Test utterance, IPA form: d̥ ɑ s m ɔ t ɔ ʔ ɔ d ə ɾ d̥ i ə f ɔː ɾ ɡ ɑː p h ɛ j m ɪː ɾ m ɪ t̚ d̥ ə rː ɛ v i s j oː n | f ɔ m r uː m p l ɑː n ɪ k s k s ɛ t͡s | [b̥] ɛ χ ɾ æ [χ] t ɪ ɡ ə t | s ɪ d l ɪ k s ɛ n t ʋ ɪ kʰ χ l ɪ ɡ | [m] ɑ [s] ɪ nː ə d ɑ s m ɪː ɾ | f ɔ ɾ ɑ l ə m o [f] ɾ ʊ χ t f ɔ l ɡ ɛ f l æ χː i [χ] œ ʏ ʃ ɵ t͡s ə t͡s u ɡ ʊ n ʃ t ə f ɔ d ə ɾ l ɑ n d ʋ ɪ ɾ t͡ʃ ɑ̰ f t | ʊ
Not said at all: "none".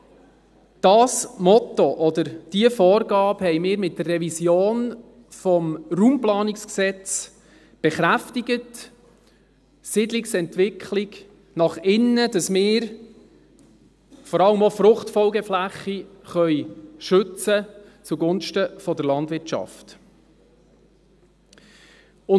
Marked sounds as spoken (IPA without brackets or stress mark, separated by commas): b̥, f, n, χ, f, χ